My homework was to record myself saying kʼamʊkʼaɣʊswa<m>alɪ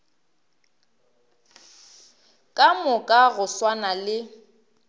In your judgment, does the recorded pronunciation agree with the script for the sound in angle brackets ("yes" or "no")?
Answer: no